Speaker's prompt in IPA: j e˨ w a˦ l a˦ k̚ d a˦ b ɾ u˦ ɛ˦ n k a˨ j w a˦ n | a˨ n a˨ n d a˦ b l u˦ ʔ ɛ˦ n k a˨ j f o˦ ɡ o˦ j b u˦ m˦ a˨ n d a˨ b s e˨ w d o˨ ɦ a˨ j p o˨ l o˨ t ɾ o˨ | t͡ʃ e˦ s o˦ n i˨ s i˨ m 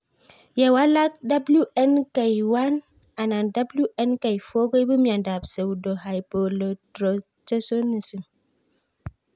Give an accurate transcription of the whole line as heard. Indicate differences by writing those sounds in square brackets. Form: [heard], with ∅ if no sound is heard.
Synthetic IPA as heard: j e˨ w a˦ l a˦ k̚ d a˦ b [l] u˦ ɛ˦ n k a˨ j w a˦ n | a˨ n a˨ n d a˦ b l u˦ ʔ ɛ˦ n k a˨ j f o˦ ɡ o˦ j b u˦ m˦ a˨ n d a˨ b s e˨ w d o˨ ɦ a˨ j p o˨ l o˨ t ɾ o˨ | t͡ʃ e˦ s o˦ n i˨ s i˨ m